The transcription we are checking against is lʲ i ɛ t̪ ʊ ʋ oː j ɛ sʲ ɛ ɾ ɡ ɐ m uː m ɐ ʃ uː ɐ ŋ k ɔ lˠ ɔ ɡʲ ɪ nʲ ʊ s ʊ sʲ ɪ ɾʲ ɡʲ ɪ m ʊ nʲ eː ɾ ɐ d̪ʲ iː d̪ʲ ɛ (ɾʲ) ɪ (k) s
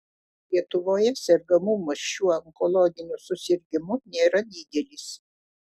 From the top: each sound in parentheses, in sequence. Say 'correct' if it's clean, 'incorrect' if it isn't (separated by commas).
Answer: incorrect, incorrect